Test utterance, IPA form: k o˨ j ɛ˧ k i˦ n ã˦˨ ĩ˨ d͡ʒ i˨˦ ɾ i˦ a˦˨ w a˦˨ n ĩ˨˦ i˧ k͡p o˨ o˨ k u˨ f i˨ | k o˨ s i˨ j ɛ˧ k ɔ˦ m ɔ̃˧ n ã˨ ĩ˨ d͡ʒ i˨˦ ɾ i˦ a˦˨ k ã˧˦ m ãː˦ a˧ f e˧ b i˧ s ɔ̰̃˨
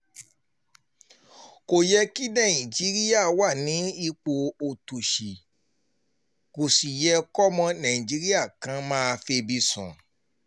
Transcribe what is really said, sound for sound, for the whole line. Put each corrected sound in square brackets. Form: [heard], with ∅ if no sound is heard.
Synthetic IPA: k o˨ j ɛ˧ k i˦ n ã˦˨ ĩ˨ d͡ʒ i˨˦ ɾ i˦ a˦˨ w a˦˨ n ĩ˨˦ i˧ k͡p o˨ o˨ [t] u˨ [ʃ] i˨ | k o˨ s i˨ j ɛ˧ k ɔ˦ m ɔ̃˧ n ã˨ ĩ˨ d͡ʒ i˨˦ ɾ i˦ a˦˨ k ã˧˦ m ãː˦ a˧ f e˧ b i˧ s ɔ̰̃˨